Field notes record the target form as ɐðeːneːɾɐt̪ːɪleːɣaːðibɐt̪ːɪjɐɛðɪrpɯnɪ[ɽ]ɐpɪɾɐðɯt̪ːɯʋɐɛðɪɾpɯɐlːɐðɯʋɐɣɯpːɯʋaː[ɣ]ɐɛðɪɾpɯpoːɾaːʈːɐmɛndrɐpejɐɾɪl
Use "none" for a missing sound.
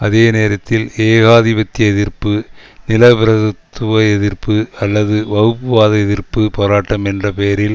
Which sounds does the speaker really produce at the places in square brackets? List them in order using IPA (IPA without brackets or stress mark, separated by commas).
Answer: l, ð